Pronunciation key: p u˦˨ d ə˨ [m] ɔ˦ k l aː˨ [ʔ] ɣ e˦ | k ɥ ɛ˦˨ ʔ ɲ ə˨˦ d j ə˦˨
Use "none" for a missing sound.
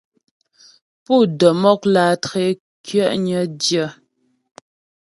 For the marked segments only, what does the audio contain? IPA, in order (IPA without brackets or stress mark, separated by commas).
m, t